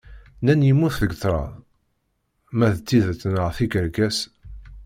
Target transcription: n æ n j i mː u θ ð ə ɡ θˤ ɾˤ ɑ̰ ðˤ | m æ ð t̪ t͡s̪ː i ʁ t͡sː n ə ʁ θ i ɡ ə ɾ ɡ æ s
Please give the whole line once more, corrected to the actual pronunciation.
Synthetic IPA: n æ n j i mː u θ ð ə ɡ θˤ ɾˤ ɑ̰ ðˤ | m æ ð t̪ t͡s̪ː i ð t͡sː n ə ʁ θ i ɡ ə ɾ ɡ æ s